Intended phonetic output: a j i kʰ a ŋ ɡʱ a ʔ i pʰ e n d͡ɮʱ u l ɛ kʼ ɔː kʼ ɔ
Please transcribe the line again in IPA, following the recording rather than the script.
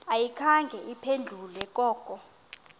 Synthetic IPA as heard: a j i kʰ a ŋ ɡʱ ɛ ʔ i pʰ e n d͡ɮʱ u l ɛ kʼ ɔː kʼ ɔ